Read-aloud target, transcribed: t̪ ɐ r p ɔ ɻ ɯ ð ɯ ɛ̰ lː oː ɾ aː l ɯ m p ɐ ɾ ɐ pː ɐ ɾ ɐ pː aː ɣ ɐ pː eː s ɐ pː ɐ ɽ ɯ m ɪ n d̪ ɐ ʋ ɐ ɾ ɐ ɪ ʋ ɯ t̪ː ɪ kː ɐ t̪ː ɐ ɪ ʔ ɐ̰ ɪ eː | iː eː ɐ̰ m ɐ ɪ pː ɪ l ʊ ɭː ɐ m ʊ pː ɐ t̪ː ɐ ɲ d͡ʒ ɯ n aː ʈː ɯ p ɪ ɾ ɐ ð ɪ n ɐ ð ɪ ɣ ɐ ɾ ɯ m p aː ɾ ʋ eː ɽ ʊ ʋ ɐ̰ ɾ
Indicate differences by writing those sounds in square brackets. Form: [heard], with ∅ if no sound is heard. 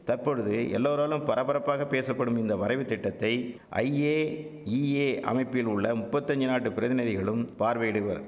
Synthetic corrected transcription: t̪ ɐ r p ɔ ɻ ɯ ð ɯ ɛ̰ lː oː ɾ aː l ɯ m p ɐ ɾ ɐ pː ɐ ɾ ɐ pː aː ɣ ɐ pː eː s ɐ pː ɐ ɽ ɯ m ɪ n d̪ ɐ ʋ ɐ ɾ ɐ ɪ ʋ ɯ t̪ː ɪ [ʈː] ɐ t̪ː ɐ ɪ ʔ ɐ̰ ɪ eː | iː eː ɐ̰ m ɐ ɪ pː ɪ l ʊ ɭː ɐ m ʊ pː ɐ t̪ː ɐ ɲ d͡ʒ ɯ n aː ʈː ɯ p ɪ ɾ ɐ ð ɪ n ɐ ð ɪ ɣ ɐ [ɭ] ɯ m p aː ɾ ʋ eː ɽ [ɯ] ʋ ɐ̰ ɾ

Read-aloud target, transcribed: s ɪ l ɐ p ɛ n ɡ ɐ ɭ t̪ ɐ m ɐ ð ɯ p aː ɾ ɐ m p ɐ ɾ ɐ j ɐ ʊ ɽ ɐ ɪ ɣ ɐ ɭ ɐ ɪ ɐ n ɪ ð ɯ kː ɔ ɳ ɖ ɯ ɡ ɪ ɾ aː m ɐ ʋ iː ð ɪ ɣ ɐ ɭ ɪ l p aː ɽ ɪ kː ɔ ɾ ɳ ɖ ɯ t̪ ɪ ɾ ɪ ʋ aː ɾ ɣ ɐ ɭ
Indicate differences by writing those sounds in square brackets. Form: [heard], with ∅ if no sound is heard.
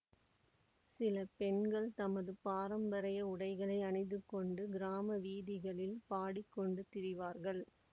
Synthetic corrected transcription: s ɪ l ɐ p ɛ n ɡ ɐ ɭ t̪ ɐ m ɐ ð ɯ p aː ɾ ɐ m [b] ɐ ɾ ɐ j ɐ ʊ ɽ ɐ ɪ ɣ ɐ ɭ ɐ ɪ ɐ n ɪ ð ɯ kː ɔ ɳ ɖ ɯ ɡ ɪ ɾ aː m ɐ ʋ iː ð ɪ ɣ ɐ ɭ ɪ l p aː ɽ ɪ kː ɔ [∅] ɳ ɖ ɯ t̪ ɪ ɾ ɪ ʋ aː ɾ ɣ ɐ ɭ

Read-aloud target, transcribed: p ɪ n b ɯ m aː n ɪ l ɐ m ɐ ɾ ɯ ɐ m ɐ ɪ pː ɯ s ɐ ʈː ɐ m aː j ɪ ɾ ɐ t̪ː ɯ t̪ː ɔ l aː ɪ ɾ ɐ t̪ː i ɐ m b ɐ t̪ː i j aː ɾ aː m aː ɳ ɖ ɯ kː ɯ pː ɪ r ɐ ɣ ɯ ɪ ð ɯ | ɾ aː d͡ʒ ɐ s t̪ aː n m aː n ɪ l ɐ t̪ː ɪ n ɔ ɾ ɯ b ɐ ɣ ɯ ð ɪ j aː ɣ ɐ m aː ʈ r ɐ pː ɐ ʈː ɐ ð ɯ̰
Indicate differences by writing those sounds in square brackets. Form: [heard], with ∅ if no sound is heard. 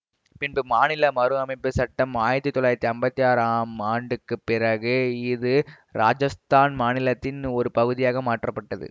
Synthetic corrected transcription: p ɪ n b ɯ m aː n ɪ l ɐ m ɐ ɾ ɯ ɐ m ɐ ɪ pː ɯ s ɐ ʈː ɐ m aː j ɪ ɾ ɐ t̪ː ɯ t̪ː ɔ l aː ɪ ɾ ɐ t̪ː i ɐ m b ɐ t̪ː i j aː ɾ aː m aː ɳ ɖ ɯ kː ɯ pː ɪ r ɐ ɣ ɯ ɪ ð ɯ | ɾ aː d͡ʒ ɐ s t̪ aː n m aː n ɪ l ɐ t̪ː ɪ n ɔ ɾ ɯ [p] ɐ ɣ ɯ ð ɪ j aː ɣ ɐ m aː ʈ r ɐ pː ɐ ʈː ɐ ð ɯ̰

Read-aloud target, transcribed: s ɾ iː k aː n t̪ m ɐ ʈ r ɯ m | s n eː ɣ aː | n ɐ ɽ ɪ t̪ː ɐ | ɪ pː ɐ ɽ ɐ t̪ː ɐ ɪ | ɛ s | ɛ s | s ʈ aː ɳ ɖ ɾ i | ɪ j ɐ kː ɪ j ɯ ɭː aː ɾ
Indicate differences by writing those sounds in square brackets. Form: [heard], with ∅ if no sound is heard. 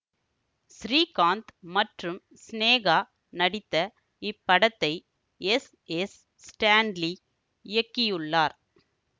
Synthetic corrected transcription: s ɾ iː k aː n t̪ m ɐ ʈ r ɯ m | s n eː ɣ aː | n ɐ ɽ ɪ t̪ː ɐ | ɪ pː ɐ ɽ ɐ t̪ː ɐ ɪ | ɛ s | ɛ s | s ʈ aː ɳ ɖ [l] i | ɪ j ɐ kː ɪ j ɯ ɭː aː ɾ

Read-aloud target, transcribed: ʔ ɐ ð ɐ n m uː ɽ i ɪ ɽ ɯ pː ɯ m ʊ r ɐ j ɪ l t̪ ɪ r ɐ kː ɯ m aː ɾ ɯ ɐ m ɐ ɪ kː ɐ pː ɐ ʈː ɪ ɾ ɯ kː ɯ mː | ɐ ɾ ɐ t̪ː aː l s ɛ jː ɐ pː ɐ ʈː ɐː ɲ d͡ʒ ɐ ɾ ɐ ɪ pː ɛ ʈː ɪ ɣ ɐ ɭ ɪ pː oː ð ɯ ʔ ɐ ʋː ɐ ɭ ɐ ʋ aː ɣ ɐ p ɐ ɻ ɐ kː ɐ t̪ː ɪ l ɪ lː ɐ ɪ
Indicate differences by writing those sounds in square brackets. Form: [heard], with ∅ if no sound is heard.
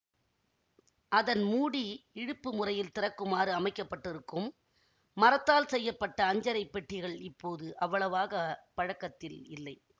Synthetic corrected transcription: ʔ ɐ ð ɐ n m uː ɽ i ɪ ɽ ɯ pː ɯ m ʊ r ɐ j ɪ l t̪ ɪ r ɐ kː ɯ m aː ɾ ɯ ɐ m ɐ ɪ kː ɐ pː ɐ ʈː ɪ ɾ ɯ kː ɯ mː | ɐ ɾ ɐ t̪ː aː l s ɛ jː ɐ pː ɐ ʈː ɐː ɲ d͡ʒ ɐ ɾ ɐ ɪ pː ɛ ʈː ɪ ɣ ɐ ɭ ɪ pː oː ð ɯ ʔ ɐ ʋː ɐ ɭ ɐ ʋ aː ɣ ɐ p ɐ ɻ ɐ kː ɐ t̪ː ɪ l ɪ lː ɐ ɪ

